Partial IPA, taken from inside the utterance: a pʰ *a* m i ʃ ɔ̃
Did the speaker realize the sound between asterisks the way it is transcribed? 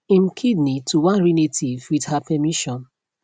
no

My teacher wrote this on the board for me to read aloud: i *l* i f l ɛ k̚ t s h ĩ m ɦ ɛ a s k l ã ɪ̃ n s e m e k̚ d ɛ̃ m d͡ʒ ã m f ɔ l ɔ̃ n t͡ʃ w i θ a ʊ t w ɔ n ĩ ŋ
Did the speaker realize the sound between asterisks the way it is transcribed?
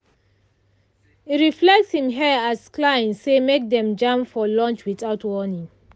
no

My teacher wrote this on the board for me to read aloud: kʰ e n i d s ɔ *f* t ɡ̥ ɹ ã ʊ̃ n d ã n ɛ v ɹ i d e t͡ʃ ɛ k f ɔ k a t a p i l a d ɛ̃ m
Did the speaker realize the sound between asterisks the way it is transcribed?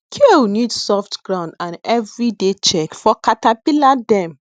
yes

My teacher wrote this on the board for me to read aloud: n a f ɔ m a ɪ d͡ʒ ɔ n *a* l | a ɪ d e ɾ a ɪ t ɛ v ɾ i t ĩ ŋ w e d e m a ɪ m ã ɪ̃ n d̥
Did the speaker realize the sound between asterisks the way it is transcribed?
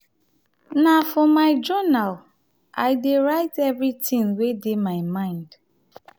yes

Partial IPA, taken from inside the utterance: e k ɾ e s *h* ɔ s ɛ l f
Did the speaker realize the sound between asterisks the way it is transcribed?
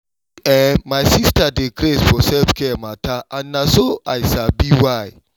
no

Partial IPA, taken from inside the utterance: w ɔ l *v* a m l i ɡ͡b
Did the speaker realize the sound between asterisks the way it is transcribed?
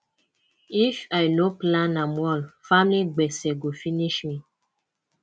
no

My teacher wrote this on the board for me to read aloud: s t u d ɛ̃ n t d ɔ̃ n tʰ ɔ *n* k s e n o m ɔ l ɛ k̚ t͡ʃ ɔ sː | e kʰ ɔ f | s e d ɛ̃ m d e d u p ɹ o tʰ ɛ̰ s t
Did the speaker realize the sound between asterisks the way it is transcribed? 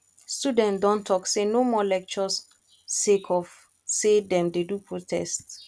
no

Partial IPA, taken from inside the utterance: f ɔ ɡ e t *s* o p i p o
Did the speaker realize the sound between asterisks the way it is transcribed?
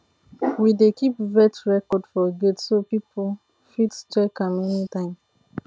yes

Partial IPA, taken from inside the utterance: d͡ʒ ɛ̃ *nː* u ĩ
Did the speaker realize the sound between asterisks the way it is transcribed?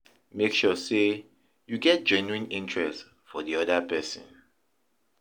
no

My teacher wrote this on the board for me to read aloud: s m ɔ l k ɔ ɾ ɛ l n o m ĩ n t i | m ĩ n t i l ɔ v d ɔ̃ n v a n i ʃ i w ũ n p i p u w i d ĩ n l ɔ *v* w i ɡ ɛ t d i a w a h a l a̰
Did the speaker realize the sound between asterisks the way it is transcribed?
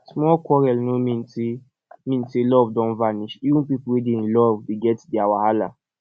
yes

